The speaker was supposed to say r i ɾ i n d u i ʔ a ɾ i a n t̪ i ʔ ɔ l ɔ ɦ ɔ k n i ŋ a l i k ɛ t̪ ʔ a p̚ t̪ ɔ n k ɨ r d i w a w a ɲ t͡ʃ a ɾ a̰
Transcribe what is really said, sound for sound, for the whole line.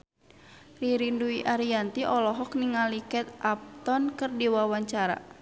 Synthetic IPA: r i ɾ i n d u i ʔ a ɾ i a n t̪ i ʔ ɔ l ɔ ɦ ɔ k n i ŋ a l i k ɛ t̪ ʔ a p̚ t̪ ɔ n k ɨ r d i w a w a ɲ t͡ʃ a ɾ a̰

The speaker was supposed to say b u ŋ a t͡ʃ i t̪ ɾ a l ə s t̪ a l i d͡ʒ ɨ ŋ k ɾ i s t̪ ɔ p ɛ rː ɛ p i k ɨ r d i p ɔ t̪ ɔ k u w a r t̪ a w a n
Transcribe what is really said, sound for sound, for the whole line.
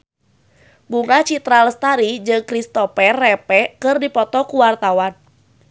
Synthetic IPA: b u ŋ a t͡ʃ i t̪ ɾ a l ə s t̪ a ɾ i d͡ʒ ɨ ŋ k ɾ i s t̪ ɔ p ɛ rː ɛ p ɛ k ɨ r d i p ɔ t̪ ɔ k u w a r t̪ a w a n

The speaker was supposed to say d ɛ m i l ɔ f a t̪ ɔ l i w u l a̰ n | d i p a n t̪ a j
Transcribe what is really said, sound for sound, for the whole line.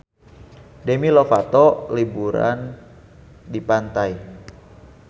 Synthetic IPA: d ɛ m i l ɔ f a t̪ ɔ l i b u ɾ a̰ n | d i p a n t̪ a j

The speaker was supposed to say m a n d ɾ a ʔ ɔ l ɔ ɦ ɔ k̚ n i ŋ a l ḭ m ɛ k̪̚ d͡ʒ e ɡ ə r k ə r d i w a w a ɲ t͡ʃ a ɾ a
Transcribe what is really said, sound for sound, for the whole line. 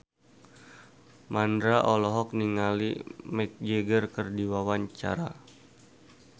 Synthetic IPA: m a n d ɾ a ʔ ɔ l ɔ ɦ ɔ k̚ n i ŋ a l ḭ m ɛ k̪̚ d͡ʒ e ɡ ə r k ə r d i w a w a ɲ t͡ʃ a ɾ a

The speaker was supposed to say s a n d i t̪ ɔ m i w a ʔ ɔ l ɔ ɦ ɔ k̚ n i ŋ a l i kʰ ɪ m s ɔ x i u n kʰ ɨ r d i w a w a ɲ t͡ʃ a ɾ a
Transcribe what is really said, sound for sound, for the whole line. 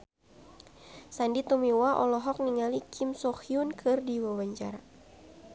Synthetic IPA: s a n d i t̪ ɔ m i w a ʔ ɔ l ɔ ɦ ɔ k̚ n i ŋ a l i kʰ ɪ m s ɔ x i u n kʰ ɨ r d i w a w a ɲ t͡ʃ a ɾ a

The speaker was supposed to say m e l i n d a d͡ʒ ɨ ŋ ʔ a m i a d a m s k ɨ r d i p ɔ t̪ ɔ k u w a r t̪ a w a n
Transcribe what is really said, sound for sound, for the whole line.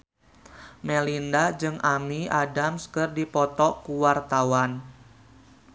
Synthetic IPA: m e l i n d a d͡ʒ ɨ ŋ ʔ a m i a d a m s k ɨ r d i p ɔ t̪ ɔ k u w a r t̪ a w a n

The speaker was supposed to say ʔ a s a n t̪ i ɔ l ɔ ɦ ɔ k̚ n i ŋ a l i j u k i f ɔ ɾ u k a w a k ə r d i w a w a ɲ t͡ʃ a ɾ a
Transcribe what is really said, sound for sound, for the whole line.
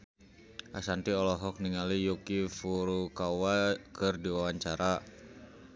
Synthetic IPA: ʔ a s a n t̪ i ɔ l ɔ ɦ ɔ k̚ n i ŋ a l i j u k i f u ɾ u k a w a k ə r d i w a w a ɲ t͡ʃ a ɾ a

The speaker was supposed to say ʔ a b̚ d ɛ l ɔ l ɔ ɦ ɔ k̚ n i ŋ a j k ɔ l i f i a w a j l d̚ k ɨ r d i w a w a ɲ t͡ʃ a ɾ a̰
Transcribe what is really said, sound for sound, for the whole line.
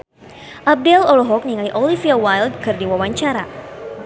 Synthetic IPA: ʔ a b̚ d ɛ l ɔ l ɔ ɦ ɔ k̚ n i ŋ a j ʔ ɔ l i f i a w a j l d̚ k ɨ r d i w a w a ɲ t͡ʃ a ɾ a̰

